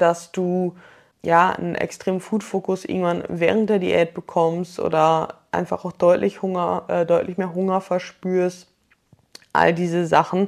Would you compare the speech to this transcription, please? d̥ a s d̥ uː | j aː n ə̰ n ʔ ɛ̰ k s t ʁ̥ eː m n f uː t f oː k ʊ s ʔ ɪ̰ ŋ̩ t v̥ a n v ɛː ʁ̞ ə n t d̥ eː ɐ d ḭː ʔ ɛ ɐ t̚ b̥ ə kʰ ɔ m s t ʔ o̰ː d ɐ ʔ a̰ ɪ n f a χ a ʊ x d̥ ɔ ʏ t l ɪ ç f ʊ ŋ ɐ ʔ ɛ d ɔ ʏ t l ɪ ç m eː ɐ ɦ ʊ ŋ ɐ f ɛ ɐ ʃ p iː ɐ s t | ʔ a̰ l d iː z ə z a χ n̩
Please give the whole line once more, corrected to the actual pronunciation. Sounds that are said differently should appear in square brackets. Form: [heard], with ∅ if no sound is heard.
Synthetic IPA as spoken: d̥ a s d̥ uː | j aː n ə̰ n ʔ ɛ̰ k s t ʁ̥ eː m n f uː t f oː k ʊ s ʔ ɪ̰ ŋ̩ t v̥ a n v ɛː ʁ̞ ə n t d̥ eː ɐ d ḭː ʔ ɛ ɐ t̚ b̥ ə kʰ ɔ m s t ʔ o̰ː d ɐ ʔ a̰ ɪ n f a χ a ʊ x d̥ ɔ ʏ t l ɪ ç [h] ʊ ŋ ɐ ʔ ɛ d ɔ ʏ t l ɪ ç m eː ɐ ɦ ʊ ŋ ɐ f ɛ ɐ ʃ p [yː] ɐ s t | ʔ a̰ l d iː z ə z a χ n̩